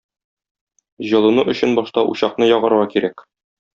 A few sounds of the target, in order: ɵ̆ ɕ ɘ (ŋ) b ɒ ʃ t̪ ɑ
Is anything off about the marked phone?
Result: yes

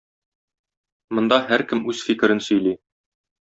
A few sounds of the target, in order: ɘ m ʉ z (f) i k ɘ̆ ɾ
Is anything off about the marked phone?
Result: no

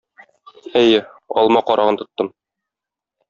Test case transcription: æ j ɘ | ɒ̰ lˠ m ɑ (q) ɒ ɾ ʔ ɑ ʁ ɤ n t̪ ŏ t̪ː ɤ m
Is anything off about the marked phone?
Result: no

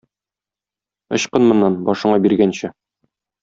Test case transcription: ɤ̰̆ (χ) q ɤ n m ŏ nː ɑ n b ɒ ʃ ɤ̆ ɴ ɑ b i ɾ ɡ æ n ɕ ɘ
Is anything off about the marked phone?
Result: yes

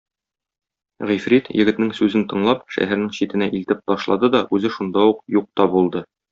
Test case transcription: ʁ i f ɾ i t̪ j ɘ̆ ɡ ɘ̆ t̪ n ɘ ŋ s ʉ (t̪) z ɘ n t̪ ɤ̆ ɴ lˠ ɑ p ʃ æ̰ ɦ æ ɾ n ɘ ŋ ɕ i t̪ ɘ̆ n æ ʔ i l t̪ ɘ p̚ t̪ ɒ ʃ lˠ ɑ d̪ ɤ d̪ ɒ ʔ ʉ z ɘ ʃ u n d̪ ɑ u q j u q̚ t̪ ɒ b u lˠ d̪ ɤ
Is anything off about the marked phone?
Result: yes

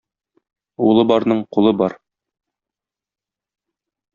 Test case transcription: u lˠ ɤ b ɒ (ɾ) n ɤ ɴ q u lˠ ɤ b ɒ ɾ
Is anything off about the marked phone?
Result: no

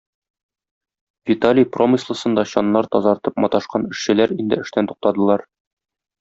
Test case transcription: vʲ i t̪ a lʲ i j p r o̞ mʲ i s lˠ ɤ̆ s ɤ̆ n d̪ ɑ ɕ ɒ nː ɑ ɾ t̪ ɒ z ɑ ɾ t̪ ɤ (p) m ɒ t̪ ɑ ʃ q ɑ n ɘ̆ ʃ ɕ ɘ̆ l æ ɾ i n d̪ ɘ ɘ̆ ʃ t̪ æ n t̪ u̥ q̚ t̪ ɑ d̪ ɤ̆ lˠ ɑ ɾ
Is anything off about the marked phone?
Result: no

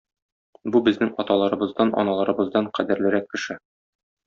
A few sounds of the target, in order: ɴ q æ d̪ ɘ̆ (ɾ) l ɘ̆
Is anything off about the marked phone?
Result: no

